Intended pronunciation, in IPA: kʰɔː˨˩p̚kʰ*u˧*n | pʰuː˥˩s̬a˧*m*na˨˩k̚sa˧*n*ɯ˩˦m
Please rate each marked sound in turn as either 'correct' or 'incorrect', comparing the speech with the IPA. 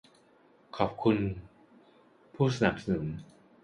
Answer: correct, incorrect: none, correct

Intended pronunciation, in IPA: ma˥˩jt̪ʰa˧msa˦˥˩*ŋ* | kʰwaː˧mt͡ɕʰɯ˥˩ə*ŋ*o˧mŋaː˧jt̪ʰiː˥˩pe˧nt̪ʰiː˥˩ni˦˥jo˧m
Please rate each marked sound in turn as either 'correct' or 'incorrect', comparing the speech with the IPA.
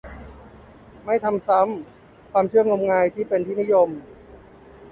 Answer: incorrect: m, correct

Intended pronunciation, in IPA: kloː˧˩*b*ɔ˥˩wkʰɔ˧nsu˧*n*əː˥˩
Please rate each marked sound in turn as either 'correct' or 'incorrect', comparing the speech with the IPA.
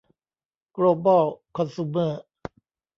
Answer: correct, incorrect: m

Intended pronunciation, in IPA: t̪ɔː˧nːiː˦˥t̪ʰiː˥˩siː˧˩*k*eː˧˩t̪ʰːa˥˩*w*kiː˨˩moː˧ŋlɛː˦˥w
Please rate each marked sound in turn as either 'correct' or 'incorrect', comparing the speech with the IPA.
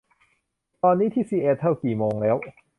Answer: incorrect: ʔ, correct

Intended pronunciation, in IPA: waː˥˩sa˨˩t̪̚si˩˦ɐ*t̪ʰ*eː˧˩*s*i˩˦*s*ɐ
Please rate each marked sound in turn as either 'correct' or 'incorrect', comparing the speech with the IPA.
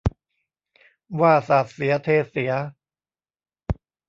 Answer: correct, correct, incorrect: none

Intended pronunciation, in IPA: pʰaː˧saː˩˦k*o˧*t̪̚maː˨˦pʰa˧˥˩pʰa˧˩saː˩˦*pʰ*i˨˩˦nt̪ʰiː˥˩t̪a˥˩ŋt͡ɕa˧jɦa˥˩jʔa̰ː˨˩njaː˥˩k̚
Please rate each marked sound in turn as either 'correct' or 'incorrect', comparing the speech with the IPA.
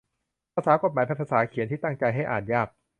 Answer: incorrect: o˨˩, incorrect: kʰ

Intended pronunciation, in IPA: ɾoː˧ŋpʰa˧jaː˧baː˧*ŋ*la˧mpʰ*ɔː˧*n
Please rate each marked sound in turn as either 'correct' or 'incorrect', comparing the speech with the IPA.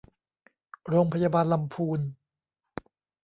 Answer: incorrect: n, incorrect: uː˧

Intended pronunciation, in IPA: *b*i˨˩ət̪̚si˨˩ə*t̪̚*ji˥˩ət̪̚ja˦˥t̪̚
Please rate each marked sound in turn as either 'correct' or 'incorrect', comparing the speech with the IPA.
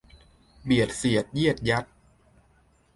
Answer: correct, correct

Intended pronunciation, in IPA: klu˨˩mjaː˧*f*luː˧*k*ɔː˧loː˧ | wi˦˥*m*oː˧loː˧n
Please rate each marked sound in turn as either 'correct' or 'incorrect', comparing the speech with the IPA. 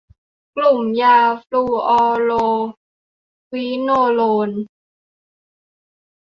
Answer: correct, incorrect: ʔ, incorrect: n

